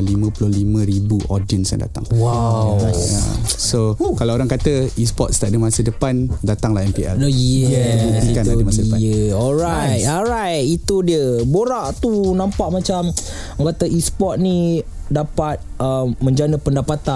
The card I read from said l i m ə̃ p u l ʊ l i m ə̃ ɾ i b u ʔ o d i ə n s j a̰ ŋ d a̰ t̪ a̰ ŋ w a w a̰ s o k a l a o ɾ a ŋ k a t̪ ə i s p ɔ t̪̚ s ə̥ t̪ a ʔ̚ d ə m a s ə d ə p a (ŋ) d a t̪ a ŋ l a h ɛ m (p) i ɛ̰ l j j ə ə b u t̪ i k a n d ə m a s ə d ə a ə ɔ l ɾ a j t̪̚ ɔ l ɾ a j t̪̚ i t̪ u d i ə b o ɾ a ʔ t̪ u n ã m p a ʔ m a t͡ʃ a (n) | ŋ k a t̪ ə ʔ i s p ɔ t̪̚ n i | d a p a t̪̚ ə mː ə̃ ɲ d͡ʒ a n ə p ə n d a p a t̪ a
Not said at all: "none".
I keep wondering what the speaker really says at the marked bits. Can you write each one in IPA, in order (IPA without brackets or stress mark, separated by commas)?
n, p, m